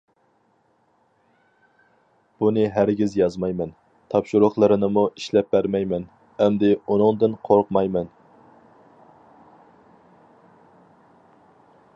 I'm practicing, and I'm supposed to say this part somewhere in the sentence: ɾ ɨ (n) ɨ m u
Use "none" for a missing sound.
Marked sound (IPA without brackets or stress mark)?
n